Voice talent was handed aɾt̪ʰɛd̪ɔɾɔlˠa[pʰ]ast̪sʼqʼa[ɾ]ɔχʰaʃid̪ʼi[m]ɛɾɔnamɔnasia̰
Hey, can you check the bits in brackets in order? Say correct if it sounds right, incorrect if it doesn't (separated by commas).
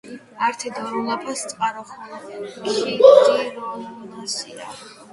correct, correct, incorrect